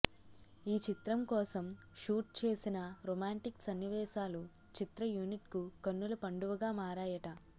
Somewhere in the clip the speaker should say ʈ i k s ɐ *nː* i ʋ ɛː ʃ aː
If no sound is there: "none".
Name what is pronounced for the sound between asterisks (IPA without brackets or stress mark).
nː